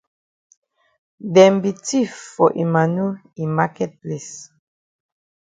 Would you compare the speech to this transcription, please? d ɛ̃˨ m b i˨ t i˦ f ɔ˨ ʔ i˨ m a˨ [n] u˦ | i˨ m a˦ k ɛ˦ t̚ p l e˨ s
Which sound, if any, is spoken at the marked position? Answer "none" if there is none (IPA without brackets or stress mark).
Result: n